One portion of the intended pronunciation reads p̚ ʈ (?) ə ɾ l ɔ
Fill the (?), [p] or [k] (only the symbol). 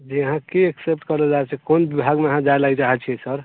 k